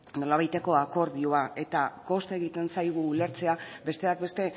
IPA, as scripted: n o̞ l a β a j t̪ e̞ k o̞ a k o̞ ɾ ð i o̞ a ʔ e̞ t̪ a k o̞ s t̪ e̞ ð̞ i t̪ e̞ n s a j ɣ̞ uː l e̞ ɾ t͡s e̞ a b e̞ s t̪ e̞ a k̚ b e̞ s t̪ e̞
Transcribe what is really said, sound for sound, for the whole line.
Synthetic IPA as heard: n o̞ l a β a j t̪ e̞ k o̞ a k o̞ ɾ ð i o̞ a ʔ e̞ t̪ a k o̞ s t̪ e̞ ɣ̞ i t̪ e̞ n s a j ɣ̞ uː l e̞ ɾ t͡s e̞ a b e̞ s t̪ e̞ a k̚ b e̞ s t̪ e̞